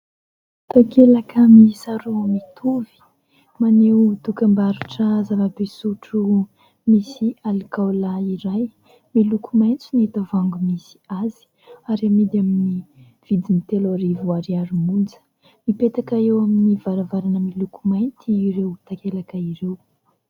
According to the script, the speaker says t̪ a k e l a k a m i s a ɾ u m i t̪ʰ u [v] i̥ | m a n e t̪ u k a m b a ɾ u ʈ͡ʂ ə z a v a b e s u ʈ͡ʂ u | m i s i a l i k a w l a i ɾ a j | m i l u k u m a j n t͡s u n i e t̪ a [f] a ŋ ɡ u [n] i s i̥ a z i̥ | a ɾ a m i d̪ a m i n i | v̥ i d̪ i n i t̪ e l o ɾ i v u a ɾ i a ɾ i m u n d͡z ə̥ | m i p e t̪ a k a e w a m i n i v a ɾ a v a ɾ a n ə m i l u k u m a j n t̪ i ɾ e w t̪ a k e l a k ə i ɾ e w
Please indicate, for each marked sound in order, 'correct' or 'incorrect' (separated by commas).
correct, incorrect, incorrect